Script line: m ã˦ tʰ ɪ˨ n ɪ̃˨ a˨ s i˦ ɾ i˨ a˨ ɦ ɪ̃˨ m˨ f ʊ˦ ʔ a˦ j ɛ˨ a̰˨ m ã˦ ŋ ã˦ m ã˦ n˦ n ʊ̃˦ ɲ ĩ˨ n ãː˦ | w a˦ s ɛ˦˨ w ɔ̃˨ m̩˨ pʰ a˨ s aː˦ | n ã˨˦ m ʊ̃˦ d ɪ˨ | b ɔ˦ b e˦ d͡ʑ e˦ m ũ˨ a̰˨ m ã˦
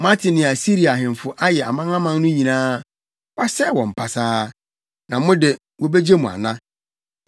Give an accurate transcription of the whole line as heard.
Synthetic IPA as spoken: m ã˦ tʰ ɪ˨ n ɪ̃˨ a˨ s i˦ ɾ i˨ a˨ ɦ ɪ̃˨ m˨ f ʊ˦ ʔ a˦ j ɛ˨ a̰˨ m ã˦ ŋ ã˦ m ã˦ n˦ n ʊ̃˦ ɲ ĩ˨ n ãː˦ | w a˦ s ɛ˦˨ w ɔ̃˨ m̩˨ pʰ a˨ s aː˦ | n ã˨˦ m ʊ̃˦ d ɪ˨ | w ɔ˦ b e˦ d͡ʑ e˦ m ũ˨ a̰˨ n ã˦